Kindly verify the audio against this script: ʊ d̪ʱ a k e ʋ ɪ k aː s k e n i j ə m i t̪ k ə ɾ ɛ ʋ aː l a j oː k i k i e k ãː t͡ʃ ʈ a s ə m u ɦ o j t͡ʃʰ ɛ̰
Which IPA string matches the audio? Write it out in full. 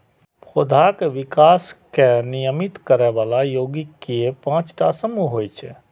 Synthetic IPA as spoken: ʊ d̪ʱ a k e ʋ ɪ k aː s k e n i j ə m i t̪ k ə ɾ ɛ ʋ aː l a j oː ɡ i k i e p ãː t͡ʃ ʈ a s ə m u ɦ o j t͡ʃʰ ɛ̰